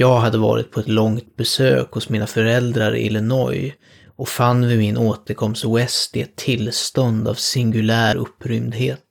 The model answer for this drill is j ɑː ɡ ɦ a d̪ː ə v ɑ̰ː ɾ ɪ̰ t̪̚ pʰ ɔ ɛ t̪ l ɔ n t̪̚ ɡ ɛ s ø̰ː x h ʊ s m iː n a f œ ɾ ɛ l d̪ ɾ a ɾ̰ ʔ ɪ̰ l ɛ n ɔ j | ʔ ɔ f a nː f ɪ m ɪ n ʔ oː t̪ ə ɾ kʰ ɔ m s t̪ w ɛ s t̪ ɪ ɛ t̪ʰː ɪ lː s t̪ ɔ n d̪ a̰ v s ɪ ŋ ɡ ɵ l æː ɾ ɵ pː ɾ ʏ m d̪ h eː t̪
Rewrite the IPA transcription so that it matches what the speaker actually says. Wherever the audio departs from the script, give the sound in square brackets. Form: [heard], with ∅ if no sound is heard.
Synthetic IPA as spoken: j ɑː ɡ ɦ a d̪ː ə v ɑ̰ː ɾ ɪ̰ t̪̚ pʰ ɔ ɛ t̪ l ɔ [ŋ] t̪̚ [b] ɛ s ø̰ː [k] h ʊ s m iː n a f œ ɾ ɛ l d̪ ɾ a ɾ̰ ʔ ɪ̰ l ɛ n ɔ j | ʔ ɔ f a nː [v] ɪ m ɪ n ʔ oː t̪ ə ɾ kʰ ɔ m s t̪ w ɛ s t̪ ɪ ɛ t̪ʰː ɪ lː s t̪ ɔ n d̪ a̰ v s ɪ ŋ ɡ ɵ l æː ɾ ɵ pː ɾ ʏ m d̪ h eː t̪